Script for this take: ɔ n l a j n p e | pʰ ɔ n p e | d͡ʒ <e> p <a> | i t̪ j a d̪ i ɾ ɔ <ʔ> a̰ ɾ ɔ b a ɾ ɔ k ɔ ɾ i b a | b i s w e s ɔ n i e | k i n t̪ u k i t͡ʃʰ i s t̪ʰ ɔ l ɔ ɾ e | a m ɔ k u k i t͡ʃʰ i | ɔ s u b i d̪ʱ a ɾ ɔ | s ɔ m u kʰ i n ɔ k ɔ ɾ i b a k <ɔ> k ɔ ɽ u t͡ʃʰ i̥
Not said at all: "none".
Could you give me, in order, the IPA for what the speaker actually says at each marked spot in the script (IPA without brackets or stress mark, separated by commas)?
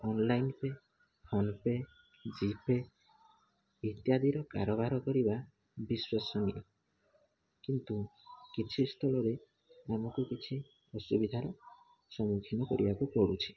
i, e, k, u